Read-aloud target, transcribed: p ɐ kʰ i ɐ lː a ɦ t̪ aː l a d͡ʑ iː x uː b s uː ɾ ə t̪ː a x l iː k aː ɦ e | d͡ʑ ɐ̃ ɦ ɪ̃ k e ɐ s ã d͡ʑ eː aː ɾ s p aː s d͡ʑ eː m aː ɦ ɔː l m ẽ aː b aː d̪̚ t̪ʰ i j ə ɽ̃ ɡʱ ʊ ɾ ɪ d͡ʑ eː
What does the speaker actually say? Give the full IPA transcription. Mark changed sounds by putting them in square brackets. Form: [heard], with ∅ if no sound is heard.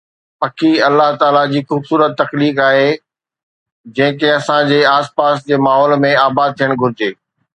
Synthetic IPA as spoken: p ɐ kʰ i ɐ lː a ɦ t̪ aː l a d͡ʑ iː x uː b s uː ɾ ə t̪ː [ɐ] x l iː k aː ɦ e | d͡ʑ ɐ̃ ɦ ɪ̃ k e ɐ s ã d͡ʑ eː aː [∅] s p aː s d͡ʑ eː m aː ɦ ɔː l m ẽ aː b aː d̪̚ t̪ʰ i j ə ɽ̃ ɡʱ ʊ ɾ ɪ d͡ʑ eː